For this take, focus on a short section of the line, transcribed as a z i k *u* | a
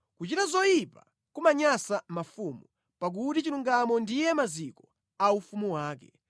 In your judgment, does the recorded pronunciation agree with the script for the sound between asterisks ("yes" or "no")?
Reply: no